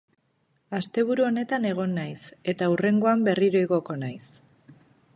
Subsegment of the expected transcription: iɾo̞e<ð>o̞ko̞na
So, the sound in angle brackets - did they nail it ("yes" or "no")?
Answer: no